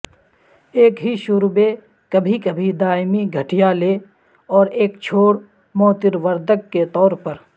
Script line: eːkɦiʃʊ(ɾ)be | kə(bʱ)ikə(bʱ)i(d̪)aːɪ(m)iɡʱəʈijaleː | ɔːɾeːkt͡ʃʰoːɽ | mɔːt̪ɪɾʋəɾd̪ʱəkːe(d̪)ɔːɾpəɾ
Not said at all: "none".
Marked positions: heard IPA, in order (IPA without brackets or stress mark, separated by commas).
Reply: ɾ, bʱ, bʱ, d̪, m, t̪